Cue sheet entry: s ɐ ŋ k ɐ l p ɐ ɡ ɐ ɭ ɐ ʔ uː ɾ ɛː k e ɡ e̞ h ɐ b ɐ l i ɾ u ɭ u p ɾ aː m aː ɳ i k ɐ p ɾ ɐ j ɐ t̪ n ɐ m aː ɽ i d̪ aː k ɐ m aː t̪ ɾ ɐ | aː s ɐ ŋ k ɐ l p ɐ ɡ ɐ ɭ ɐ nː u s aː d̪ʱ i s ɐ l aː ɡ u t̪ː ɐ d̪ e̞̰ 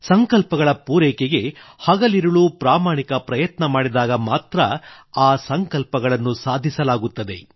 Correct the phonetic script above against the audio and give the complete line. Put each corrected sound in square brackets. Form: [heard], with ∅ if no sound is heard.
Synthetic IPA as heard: s ɐ ŋ k ɐ l p ɐ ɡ ɐ ɭ ɐ [p] uː ɾ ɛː k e ɡ e̞ h ɐ [ɡ] ɐ l i ɾ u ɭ u p ɾ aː m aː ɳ i k ɐ p ɾ ɐ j ɐ t̪ n ɐ m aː ɽ i d̪ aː [ɡ] ɐ m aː t̪ ɾ ɐ | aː s ɐ ŋ k ɐ l p ɐ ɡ ɐ ɭ ɐ nː u s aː d̪ʱ i s ɐ l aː ɡ u t̪ː ɐ d̪ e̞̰

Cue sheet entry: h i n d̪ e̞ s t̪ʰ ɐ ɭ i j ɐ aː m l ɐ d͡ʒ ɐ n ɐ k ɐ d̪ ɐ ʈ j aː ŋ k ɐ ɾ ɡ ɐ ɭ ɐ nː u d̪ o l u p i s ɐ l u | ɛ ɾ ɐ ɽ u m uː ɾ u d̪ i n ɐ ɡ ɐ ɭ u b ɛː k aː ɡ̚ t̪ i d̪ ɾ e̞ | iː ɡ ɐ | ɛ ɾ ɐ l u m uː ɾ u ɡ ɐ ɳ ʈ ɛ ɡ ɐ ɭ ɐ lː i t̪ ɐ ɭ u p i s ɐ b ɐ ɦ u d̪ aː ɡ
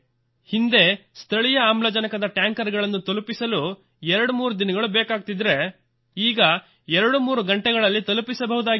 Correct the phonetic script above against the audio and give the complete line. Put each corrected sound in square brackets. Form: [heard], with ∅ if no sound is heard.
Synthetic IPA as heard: h i n d̪ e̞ s t̪ʰ ɐ ɭ i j ɐ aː m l ɐ d͡ʒ ɐ n ɐ k ɐ d̪ ɐ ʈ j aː ŋ k ɐ ɾ ɡ ɐ ɭ ɐ nː u [t̪] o l u p i s ɐ l u | ɛ ɾ ɐ ɽ u m uː ɾ u d̪ i n ɐ ɡ ɐ ɭ u b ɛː k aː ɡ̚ t̪ i d̪ ɾ e̞ | iː ɡ ɐ | ɛ ɾ ɐ [ɽ] u m uː ɾ u ɡ ɐ ɳ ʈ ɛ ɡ ɐ ɭ ɐ lː i t̪ ɐ [l] u p i s ɐ b ɐ ɦ u d̪ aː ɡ

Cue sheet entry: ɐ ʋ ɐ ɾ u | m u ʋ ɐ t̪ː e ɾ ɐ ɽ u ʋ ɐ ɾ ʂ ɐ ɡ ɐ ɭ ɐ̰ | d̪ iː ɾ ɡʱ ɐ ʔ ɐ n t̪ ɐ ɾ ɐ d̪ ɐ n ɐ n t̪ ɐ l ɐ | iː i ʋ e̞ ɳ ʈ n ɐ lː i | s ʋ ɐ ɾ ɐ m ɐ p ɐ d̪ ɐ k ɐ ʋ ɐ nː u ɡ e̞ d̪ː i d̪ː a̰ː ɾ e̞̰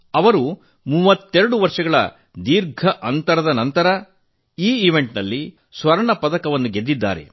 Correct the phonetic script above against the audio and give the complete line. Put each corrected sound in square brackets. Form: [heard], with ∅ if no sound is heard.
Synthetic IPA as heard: ɐ ʋ ɐ ɾ u | m u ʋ ɐ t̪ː e ɾ ɐ ɽ u ʋ ɐ ɾ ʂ ɐ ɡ ɐ ɭ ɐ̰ | d̪ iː ɾ ɡʱ ɐ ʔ ɐ n t̪ ɐ ɾ ɐ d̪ ɐ n ɐ n t̪ ɐ [ɾ] ɐ | iː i ʋ e̞ ɳ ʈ n ɐ lː i | s ʋ ɐ ɾ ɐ [ɳ] ɐ p ɐ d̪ ɐ k ɐ ʋ ɐ nː u ɡ e̞ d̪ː i d̪ː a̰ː ɾ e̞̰

